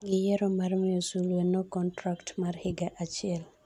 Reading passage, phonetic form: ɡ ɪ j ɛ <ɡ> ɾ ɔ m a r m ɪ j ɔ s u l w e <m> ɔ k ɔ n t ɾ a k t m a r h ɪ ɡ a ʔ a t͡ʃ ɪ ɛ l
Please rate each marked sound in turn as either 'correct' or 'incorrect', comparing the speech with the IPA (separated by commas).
incorrect, incorrect